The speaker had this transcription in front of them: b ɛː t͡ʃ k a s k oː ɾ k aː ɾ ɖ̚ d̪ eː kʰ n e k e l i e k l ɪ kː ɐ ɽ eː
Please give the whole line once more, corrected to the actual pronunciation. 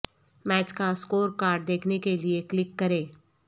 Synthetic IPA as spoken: m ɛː t͡ʃ k a s k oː ɾ k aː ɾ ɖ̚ d̪ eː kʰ n e k e l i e k l ɪ kː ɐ ɾ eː